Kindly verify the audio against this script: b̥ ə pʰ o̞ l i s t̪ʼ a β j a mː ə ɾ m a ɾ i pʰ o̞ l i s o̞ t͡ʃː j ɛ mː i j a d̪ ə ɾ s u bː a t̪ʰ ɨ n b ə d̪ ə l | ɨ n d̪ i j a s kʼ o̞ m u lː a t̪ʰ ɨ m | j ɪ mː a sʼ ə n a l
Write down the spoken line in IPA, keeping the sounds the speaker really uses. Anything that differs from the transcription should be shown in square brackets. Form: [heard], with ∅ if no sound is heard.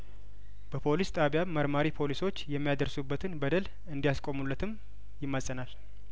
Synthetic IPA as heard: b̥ ə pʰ o̞ l i s t̪ʼ a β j a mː ə ɾ m a ɾ i pʰ o̞ l i s o̞ t͡ʃː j ɛ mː i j a d̪ ə ɾ s u bː [ə] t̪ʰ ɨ n b ə d̪ ə l | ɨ n d̪ i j a s kʼ o̞ m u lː [ə] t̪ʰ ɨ m | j ɪ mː a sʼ ə n a l

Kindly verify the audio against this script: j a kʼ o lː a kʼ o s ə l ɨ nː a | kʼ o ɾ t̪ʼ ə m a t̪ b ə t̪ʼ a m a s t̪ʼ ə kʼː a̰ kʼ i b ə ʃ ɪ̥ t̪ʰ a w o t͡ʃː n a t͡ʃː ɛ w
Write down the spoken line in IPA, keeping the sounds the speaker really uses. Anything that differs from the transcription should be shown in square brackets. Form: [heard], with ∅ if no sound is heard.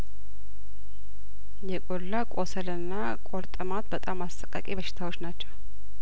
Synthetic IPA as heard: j [ɛ] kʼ o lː a kʼ o s ə l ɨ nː a | kʼ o ɾ t̪ʼ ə m a t̪ b ə t̪ʼ a m a s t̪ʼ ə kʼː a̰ kʼ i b ə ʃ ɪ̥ t̪ʰ a w o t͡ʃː n a t͡ʃː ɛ w

